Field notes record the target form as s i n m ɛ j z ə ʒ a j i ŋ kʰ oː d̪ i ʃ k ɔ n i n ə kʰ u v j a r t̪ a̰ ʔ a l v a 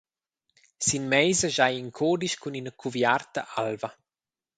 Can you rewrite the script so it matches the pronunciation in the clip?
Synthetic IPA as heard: s i n m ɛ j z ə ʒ a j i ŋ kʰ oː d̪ i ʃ k u n i n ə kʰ u v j a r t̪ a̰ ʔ a l v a